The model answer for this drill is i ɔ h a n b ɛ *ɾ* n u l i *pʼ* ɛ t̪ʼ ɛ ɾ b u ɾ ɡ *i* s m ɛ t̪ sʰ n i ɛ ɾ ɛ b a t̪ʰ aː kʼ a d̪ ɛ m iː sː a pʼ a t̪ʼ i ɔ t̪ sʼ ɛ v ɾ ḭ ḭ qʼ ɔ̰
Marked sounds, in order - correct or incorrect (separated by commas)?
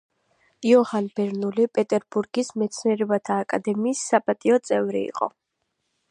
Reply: correct, correct, correct